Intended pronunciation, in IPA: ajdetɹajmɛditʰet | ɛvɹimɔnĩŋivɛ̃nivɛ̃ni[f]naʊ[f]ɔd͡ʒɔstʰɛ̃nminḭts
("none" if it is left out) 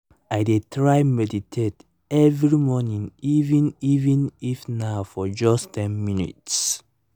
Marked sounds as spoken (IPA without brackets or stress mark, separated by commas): f, f